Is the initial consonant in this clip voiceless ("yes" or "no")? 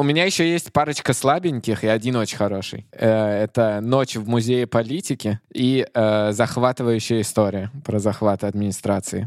no